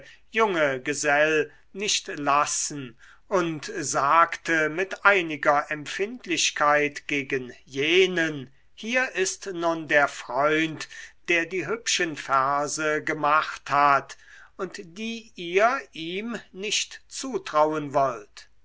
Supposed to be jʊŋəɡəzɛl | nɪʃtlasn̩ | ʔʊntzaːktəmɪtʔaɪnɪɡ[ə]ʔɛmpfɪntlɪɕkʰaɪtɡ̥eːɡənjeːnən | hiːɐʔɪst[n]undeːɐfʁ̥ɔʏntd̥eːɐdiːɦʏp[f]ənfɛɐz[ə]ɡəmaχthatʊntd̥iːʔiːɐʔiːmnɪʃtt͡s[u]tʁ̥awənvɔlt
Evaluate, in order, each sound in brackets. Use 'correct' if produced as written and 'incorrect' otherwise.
incorrect: ɐ, correct, incorrect: ʃ, correct, incorrect: uː

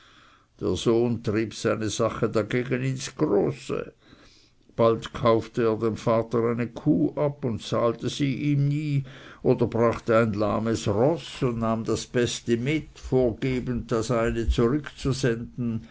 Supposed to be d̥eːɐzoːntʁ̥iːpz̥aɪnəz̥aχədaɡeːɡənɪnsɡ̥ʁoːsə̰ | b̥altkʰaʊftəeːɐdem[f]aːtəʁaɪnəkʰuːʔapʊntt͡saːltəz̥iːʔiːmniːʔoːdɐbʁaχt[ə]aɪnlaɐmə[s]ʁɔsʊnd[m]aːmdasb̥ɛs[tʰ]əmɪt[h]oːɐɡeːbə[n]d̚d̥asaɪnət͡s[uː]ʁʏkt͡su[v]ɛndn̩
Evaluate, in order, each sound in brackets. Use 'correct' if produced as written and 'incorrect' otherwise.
correct, correct, correct, incorrect: n, incorrect: t, incorrect: f, correct, incorrect: u, incorrect: z

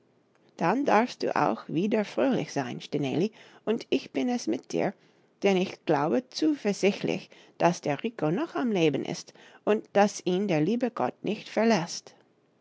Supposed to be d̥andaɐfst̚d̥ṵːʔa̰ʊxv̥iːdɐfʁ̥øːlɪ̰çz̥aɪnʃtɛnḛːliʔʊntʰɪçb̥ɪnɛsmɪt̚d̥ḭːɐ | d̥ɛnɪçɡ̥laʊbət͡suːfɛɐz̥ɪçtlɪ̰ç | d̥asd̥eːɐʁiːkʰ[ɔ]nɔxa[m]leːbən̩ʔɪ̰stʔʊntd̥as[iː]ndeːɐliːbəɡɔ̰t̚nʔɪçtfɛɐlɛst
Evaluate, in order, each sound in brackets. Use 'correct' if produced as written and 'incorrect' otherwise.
incorrect: o, correct, correct

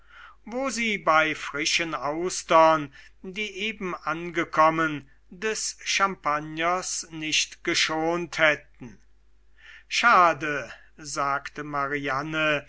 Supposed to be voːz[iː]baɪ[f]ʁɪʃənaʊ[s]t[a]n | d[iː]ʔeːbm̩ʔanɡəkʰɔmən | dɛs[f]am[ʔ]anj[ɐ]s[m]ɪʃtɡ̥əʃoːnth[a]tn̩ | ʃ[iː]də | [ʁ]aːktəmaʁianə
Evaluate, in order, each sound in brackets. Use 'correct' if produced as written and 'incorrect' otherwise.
correct, correct, correct, incorrect: ɐ, correct, incorrect: ʃ, incorrect: p, correct, incorrect: n, incorrect: ɛ, incorrect: aː, incorrect: z

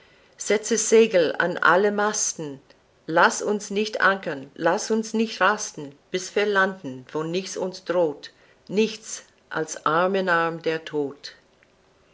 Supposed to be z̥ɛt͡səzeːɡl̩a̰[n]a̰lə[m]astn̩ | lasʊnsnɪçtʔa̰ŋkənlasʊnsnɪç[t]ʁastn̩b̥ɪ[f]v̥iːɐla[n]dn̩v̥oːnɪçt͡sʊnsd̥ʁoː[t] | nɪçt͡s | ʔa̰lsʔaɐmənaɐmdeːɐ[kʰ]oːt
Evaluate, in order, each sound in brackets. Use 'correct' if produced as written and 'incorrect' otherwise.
correct, correct, correct, incorrect: s, correct, correct, incorrect: tʰ

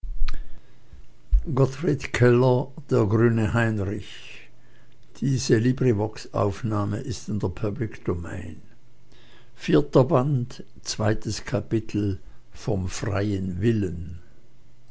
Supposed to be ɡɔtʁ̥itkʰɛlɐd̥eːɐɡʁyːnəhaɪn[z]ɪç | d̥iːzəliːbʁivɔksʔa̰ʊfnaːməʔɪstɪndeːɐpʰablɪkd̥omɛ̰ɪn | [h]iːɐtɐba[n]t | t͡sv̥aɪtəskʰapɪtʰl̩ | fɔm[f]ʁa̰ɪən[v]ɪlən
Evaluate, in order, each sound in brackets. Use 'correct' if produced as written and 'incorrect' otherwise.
incorrect: ʁ, incorrect: f, correct, correct, correct

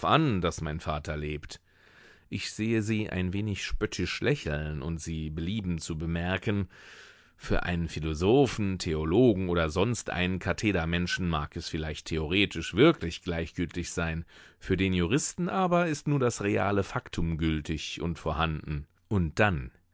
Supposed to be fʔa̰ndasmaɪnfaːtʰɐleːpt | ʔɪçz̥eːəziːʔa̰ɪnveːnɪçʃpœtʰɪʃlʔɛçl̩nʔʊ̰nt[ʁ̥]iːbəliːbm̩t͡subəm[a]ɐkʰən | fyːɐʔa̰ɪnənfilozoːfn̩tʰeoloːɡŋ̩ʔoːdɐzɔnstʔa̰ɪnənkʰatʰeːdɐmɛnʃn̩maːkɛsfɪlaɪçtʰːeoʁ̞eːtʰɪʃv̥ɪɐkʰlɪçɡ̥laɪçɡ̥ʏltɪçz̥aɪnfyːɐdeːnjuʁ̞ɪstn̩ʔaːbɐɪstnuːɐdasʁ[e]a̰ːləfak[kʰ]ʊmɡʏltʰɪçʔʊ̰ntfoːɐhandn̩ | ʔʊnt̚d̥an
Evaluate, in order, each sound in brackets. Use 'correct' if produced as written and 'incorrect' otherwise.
incorrect: z̥, incorrect: ɛ, correct, incorrect: tʰ

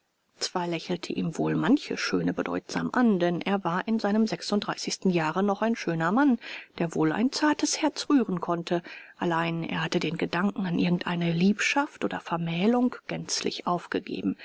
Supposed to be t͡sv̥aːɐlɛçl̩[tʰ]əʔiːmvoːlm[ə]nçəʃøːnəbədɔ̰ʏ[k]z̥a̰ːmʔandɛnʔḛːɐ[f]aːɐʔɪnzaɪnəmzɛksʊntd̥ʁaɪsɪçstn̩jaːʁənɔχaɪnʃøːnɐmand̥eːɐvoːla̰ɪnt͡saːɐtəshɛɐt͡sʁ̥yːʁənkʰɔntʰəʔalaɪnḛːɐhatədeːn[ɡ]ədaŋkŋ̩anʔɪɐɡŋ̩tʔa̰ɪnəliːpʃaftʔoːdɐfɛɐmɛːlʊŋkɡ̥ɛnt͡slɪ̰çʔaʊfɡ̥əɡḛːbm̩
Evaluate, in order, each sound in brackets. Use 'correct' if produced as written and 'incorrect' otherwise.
correct, incorrect: a, incorrect: t, incorrect: v, correct

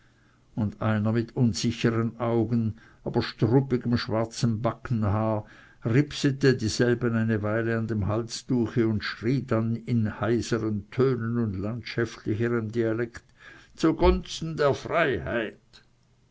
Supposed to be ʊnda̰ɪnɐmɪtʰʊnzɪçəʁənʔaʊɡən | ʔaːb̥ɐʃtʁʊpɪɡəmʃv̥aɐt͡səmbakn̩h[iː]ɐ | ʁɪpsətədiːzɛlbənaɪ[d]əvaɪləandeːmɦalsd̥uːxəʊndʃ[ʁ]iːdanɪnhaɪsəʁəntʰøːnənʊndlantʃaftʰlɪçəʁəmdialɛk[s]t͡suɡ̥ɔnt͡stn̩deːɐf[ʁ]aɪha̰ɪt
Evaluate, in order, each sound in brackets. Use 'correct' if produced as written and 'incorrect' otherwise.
incorrect: aː, incorrect: n, correct, incorrect: t, correct

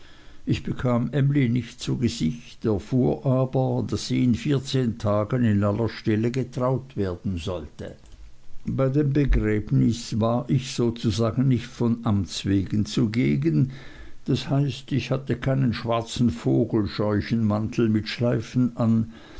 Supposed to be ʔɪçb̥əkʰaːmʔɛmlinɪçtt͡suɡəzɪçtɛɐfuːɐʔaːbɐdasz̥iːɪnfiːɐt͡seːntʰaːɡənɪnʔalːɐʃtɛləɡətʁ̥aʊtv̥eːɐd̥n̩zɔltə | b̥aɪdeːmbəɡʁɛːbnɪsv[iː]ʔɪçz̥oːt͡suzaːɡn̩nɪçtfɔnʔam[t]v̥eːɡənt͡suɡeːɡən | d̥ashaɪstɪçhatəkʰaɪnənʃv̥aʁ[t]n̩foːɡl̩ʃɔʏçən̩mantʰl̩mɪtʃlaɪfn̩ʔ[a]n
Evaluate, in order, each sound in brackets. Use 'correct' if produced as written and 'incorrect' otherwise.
incorrect: aː, incorrect: t͡s, incorrect: t͡s, correct

